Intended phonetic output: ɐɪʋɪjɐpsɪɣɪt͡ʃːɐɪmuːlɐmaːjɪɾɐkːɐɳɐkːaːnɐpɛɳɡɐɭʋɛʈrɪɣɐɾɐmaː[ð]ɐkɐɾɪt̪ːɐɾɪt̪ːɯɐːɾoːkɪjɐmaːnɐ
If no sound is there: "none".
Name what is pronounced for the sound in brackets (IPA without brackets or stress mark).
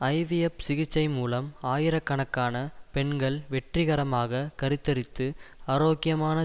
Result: ɣ